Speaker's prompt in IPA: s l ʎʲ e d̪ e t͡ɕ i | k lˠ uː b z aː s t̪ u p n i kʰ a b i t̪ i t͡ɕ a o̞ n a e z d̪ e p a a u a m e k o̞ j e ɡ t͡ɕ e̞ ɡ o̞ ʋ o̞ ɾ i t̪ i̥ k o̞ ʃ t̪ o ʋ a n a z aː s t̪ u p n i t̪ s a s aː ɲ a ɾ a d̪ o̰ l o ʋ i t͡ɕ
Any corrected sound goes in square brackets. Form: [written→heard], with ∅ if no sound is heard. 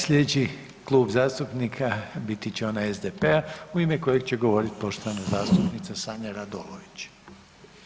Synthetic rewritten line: s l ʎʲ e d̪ e t͡ɕ i | k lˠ uː b z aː s t̪ u p n i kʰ a b i t̪ i t͡ɕ [a→e] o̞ n a e z d̪ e p [a→e] a u [a→i] m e k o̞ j e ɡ t͡ɕ e̞ ɡ o̞ ʋ o̞ ɾ i t̪ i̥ [k→p] o̞ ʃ t̪ o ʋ a n a z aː s t̪ u p n i t̪ s a s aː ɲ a ɾ a d̪ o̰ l o ʋ i t͡ɕ